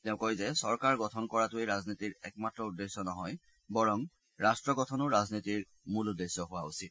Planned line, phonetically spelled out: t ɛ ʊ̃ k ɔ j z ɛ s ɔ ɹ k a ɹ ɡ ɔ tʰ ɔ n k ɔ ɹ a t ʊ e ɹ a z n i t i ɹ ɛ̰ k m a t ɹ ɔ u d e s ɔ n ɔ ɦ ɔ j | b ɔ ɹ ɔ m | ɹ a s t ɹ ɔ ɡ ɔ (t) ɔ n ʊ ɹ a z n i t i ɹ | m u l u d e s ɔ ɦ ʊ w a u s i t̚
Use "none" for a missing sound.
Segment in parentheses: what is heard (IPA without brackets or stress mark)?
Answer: tʰ